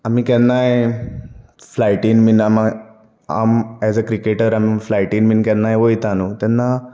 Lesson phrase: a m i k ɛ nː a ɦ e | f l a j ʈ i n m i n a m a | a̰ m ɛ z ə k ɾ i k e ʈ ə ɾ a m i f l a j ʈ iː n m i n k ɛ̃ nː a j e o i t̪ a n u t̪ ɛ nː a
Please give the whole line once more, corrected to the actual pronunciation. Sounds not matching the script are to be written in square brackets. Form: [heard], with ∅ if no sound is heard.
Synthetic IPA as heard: a m i k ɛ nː a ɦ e | f l a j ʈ i n m i n a m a | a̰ m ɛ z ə k ɾ i k e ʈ ə ɾ a m i f l a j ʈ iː n m i n k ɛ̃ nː a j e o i t̪ a n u t̪ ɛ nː a